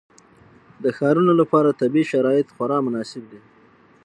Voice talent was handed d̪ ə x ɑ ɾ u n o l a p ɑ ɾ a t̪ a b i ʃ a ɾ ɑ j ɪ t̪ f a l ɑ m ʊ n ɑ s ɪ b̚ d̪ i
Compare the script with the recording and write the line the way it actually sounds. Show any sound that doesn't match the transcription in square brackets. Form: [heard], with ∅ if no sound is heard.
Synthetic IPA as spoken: d̪ ə x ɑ ɾ u n o l a p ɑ ɾ a t̪ a b i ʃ a ɾ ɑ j ɪ t̪ [x] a [ɾ] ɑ m ʊ n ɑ s ɪ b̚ d̪ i

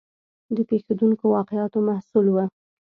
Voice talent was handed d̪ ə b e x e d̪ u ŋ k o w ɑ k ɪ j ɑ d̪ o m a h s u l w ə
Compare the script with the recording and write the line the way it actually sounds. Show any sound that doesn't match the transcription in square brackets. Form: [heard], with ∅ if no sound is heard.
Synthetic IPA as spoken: d̪ ə [p] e x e d̪ u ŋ k o w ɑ [q] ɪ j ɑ [t̪] o m a h s u l w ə

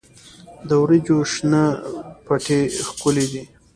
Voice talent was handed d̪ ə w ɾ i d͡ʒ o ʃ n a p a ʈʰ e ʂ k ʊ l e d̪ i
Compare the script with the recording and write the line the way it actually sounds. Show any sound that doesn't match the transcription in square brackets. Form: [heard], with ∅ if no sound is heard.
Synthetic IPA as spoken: d̪ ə w ɾ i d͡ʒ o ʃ n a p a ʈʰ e [x] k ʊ l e d̪ i

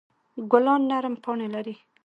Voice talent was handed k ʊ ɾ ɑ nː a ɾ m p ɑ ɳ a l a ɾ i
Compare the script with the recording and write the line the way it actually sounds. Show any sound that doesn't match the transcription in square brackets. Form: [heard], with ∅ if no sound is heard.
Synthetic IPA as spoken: [ɡ] ʊ [l] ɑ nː a ɾ m p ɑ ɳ [e] l a ɾ i

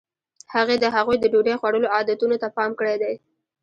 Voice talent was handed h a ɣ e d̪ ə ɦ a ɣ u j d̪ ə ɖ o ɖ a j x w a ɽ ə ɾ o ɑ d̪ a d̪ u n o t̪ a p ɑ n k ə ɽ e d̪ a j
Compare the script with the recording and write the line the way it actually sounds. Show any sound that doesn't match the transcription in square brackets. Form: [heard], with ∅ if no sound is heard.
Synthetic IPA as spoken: h a ɣ e d̪ ə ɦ a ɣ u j d̪ ə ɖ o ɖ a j x w a ɽ ə [l] o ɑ d̪ a [t̪] u n o t̪ a p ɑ [m] k ə ɽ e d̪ a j

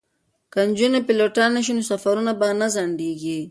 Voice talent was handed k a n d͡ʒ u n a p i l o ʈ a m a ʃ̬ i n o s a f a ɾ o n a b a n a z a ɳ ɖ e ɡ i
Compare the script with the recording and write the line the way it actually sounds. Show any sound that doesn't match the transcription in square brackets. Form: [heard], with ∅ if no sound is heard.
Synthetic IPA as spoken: k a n d͡ʒ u n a p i l o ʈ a [n] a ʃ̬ i n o s a f a ɾ [u] n a b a n a z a ɳ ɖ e ɡ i

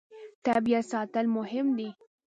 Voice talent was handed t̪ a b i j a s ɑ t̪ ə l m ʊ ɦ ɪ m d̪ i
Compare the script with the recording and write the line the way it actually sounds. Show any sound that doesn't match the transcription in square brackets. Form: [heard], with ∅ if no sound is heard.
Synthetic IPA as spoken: t̪ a b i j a s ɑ t̪ ə l m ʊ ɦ ɪ m d̪ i

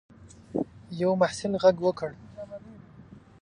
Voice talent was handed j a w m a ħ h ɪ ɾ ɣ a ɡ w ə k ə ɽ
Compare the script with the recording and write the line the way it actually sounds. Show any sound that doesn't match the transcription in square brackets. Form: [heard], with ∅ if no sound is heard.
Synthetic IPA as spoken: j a w m a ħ [s] ɪ [l] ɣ a ɡ w ə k ə ɽ

